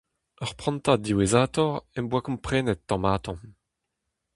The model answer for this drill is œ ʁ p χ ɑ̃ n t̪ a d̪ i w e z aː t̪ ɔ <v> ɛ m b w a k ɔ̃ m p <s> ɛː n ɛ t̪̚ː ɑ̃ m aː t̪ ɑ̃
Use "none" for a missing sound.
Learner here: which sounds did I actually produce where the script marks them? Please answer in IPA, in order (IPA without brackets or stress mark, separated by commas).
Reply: ʁ, χ